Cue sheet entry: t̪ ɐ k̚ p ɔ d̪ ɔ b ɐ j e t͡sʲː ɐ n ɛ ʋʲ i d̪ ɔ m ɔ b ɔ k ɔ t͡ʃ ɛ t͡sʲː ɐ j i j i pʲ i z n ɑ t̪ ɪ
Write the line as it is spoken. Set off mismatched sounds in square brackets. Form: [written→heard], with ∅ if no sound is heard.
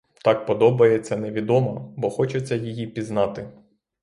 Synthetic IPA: t̪ [ɐ→ɑ] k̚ p ɔ d̪ ɔ b ɐ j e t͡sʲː ɐ n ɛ ʋʲ i d̪ ɔ m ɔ b ɔ [k→x] ɔ t͡ʃ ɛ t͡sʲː ɐ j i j i pʲ i z n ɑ t̪ ɪ